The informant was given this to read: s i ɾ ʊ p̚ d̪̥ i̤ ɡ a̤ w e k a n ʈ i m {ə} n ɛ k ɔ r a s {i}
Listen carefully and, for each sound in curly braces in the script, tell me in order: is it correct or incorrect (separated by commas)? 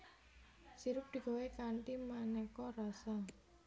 incorrect, incorrect